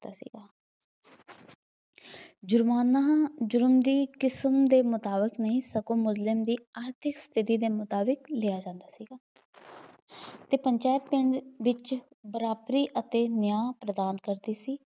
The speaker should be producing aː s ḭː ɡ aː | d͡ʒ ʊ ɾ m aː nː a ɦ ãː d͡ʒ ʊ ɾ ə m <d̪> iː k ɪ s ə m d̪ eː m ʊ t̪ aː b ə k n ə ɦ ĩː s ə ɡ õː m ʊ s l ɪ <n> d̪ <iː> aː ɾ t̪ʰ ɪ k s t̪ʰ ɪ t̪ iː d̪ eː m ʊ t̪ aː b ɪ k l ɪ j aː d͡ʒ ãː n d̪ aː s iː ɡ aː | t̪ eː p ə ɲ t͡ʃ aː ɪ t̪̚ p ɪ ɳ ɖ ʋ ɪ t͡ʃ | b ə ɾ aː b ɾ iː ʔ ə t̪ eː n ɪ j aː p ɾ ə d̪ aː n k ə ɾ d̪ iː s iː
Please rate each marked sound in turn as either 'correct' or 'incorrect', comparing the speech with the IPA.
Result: correct, incorrect, correct

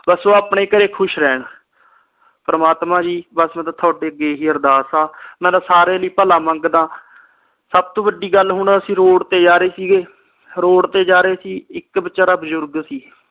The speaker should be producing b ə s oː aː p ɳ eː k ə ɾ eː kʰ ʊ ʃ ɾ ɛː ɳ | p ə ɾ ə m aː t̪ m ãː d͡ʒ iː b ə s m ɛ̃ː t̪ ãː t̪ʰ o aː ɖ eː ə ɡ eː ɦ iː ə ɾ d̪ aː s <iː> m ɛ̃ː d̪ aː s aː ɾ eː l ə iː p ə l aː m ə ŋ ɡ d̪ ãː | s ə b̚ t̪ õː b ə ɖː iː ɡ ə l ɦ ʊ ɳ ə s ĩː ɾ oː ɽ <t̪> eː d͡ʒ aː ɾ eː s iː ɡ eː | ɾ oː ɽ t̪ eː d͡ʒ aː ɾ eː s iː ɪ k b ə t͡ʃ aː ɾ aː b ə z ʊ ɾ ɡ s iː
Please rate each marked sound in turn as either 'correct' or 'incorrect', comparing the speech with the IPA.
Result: incorrect, correct

